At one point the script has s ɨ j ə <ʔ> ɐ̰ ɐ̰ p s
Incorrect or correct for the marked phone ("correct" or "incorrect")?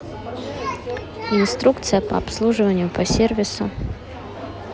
incorrect